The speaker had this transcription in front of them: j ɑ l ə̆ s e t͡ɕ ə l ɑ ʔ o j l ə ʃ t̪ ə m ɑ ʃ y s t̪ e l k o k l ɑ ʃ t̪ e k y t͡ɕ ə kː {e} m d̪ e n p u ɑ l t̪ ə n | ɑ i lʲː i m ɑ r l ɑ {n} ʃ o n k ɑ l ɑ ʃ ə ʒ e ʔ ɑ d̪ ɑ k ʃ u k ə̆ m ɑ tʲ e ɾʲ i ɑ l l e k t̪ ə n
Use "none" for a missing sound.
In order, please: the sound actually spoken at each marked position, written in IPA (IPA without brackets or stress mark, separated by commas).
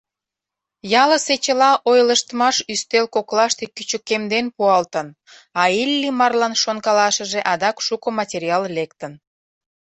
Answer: e, n